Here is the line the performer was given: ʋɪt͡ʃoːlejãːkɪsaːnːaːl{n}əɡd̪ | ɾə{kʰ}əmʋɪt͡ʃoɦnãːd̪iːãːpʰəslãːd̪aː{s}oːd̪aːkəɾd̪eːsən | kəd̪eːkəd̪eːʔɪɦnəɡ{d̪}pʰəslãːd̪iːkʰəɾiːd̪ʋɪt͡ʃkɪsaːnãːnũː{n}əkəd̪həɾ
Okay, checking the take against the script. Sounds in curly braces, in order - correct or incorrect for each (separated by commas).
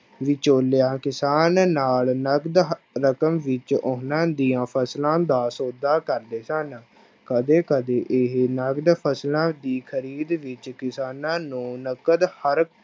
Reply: correct, incorrect, correct, correct, correct